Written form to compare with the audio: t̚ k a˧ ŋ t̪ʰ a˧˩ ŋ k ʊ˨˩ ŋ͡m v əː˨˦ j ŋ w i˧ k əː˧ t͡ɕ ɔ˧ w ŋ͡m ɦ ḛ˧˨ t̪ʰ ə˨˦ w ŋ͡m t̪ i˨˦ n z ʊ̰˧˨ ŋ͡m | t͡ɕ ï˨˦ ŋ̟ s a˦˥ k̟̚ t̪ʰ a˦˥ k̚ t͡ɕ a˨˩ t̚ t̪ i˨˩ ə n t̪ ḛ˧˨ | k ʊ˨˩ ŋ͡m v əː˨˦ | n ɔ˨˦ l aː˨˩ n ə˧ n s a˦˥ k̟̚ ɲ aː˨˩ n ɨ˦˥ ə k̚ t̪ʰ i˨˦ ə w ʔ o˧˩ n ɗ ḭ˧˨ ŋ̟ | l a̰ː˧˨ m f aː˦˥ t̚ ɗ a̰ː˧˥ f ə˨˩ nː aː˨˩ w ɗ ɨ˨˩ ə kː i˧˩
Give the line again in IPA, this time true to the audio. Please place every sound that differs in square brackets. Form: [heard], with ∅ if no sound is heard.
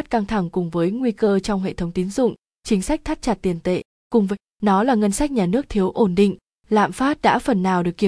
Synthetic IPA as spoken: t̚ k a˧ ŋ t̪ʰ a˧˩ ŋ k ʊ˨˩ ŋ͡m v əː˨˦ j ŋ w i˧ k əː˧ t͡ɕ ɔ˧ w ŋ͡m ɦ ḛ˧˨ t̪ʰ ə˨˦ w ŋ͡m t̪ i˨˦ n z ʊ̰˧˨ ŋ͡m | t͡ɕ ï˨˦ ŋ̟ s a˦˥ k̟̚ t̪ʰ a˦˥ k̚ t͡ɕ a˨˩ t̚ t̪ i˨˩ ə n t̪ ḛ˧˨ | k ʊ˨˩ ŋ͡m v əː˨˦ | n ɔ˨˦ l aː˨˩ [ŋ] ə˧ n s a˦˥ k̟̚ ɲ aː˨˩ n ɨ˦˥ ə k̚ t̪ʰ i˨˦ ə w ʔ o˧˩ n ɗ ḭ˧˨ ŋ̟ | l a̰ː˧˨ m f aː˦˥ t̚ ɗ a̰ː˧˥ f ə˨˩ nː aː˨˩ w ɗ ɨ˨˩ ə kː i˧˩